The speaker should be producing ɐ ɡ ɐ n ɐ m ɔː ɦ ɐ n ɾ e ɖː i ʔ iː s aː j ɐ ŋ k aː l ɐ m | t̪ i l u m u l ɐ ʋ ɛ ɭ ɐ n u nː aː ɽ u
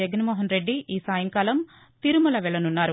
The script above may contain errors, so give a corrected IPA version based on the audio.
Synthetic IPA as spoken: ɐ ɡ ɐ n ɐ m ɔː ɦ ɐ n ɾ e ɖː i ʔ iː s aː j ɐ ŋ k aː l ɐ m | t̪ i ɾ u m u l ɐ ʋ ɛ ɭ ɐ n u nː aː ɾ u

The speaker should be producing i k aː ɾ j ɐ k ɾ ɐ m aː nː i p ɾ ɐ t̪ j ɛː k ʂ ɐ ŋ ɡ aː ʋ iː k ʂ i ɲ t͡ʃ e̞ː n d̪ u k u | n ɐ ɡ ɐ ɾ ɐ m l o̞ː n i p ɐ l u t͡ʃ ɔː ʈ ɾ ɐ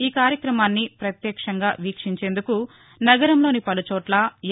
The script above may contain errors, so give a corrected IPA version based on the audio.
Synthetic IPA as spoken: iː k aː ɾ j ɐ k ɾ ɐ m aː nː i p ɾ ɐ t̪ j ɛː k ʂ ɐ ŋ ɡ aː ʋ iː k ʂ i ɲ t͡ʃ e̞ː n d̪ u k u | n ɐ ɡ ɐ ɾ ɐ m l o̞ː n i p ɐ l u t͡ʃ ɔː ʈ l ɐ

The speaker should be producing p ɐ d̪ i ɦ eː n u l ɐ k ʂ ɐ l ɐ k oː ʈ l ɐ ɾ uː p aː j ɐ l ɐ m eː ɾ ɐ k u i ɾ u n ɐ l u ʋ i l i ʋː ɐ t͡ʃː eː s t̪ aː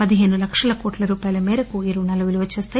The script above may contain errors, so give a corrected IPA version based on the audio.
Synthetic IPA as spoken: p ɐ d̪ i ɦ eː n u l ɐ k ʂ ɐ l ɐ k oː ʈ l ɐ ɾ uː p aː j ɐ l ɐ m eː ɾ ɐ k u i ɾ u n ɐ l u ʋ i l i ʋ ɐ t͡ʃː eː s t̪ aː

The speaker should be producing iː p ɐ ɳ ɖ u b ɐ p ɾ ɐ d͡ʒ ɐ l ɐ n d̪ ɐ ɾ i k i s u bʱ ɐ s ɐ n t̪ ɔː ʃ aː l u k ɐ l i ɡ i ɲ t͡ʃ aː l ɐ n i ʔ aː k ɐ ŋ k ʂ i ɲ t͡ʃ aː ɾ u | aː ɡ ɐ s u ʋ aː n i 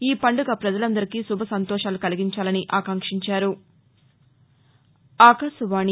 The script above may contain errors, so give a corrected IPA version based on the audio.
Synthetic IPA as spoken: iː p ɐ ɳ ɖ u ɡ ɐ p ɾ ɐ d͡ʒ ɐ l ɐ n d̪ ɐ ɾ i k i s u bʱ ɐ s ɐ n t̪ ɔː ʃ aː l u k ɐ l i ɡ i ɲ t͡ʃ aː l ɐ n i ʔ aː k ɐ ŋ k ʂ i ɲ t͡ʃ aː ɾ u | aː k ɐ s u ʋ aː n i

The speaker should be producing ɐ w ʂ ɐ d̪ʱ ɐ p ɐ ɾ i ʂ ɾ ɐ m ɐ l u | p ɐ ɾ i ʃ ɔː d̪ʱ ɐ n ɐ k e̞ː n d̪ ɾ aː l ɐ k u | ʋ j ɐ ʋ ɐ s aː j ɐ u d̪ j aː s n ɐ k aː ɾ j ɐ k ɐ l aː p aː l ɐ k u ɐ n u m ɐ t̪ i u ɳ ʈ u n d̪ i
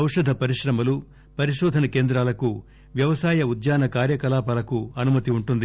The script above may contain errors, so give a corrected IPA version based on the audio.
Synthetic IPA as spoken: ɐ w ʂ ɐ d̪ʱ ɐ p ɐ ɾ i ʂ ɾ ɐ m ɐ l u | p ɐ ɾ i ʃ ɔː d̪ʱ ɐ n ɐ k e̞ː n d̪ ɾ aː l ɐ k u | ʋ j ɐ ʋ ɐ s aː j ɐ u d̪ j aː n ɐ k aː ɾ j ɐ k ɐ l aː p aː l ɐ k u ɐ n u m ɐ t̪ i u ɳ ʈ u n d̪ i

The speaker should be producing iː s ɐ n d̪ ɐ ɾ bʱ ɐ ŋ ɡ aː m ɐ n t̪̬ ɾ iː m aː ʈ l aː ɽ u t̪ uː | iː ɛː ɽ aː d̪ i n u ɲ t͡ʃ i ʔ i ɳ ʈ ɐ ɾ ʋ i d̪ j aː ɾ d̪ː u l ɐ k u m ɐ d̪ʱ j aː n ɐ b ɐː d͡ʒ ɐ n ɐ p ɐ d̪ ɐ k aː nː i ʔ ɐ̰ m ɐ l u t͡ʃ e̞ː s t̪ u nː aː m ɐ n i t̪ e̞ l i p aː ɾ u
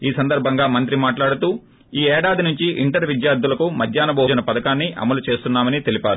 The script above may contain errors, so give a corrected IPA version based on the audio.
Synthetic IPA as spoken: iː s ɐ n d̪ ɐ ɾ bʱ ɐ ŋ ɡ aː m ɐ n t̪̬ ɾ i m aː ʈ l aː ɽ u t̪ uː | iː ɛː ɽ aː d̪ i n u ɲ t͡ʃ i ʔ i ɳ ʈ ɐ ɾ ʋ i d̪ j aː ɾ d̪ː u l ɐ k u m ɐ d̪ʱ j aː n ɐ b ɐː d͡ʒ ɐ n ɐ p ɐ d̪ ɐ k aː nː i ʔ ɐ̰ m ɐ l u t͡ʃ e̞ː s t̪ u nː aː m ɐ n i t̪ e̞ l i p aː ɾ u

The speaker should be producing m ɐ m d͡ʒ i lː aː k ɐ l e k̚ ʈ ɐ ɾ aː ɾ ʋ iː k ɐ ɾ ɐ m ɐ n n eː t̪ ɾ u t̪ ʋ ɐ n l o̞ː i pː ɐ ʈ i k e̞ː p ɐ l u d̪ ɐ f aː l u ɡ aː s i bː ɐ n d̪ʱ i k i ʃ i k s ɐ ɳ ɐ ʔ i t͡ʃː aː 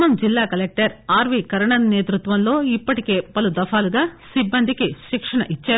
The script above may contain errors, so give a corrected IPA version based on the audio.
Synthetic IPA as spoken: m ɐ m d͡ʒ i lː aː k ɐ l e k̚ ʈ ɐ ɾ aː ɾ ʋ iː k ɐ ɾ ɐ ɳ ɐ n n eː t̪ ɾ u t̪ ʋ ɐ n l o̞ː i pː ɐ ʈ i k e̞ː p ɐ l u d̪ ɐ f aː l u ɡ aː s i bː ɐ n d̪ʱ i k i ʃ i k ʂ ɐ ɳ ɐ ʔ i t͡ʃː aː

